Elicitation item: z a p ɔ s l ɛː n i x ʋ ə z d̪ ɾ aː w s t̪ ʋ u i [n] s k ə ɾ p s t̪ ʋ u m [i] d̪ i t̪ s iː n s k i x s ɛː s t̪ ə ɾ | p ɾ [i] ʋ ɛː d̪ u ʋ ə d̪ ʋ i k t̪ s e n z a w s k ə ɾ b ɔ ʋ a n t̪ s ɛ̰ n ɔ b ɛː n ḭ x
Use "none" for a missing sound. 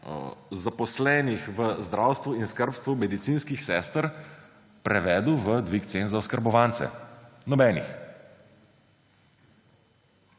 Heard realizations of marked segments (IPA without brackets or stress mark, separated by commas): n, ɛ, ɛ